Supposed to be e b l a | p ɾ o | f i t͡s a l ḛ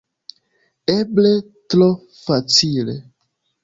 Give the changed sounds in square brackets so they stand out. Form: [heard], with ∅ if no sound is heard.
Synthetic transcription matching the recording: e b l [e] | [t] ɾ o | f [a] t͡s [i] l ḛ